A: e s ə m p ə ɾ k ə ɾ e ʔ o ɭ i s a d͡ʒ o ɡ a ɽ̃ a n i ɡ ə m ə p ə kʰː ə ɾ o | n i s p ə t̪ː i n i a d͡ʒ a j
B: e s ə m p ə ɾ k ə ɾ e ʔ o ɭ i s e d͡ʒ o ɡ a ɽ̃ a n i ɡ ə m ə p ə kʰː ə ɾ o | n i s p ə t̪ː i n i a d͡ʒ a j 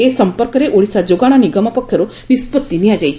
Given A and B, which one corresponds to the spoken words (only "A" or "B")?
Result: A